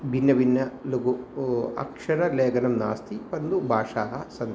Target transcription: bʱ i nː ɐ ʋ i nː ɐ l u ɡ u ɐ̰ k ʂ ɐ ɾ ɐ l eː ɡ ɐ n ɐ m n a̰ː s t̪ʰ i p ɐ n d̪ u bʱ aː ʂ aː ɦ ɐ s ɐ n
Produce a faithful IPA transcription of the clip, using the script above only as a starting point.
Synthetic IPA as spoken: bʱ i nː ɐ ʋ i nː ɐ l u ɡ u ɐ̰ k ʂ ɐ ɾ ɐ l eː ɡ ɐ n ɐ m n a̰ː s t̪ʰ i p ɐ n d̪ u bʱ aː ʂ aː ɦ ɐ s ɐ n